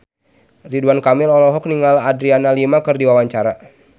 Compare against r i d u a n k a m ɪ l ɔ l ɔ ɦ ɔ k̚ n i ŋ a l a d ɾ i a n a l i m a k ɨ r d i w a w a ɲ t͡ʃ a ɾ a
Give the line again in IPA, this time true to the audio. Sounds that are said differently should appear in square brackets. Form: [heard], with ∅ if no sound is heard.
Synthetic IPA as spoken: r i d u a n k a m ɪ l ɔ l ɔ ɦ ɔ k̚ n i ŋ a l a d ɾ i a n a l i m a k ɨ r d i w a w a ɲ t͡ʃ a ɾ a